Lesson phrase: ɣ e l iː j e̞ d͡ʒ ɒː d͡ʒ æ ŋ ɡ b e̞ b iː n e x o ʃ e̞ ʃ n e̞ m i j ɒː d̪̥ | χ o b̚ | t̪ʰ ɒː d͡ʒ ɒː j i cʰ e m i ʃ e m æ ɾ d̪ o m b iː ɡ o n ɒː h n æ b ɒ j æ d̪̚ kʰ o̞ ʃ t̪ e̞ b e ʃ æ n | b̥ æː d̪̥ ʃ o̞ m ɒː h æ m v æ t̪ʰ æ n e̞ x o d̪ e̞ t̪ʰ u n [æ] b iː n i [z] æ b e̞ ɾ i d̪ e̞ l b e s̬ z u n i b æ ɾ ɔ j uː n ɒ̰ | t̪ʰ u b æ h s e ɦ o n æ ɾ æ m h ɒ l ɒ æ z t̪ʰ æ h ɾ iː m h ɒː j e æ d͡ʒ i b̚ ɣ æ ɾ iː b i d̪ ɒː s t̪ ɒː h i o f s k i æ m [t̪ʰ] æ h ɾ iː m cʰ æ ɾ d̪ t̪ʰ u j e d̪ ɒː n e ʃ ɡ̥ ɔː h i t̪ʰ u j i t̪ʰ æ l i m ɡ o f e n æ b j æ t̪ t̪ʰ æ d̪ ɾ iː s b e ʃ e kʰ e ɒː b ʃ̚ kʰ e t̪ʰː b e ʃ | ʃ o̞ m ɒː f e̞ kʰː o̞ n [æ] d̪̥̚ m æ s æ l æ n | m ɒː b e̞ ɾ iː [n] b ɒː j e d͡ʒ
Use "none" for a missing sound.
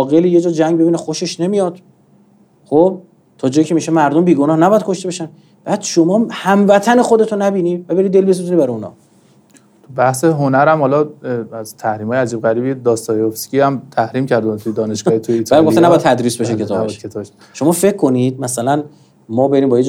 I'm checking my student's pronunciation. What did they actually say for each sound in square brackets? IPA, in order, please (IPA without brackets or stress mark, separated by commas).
æ, v, t̪ʰ, i, m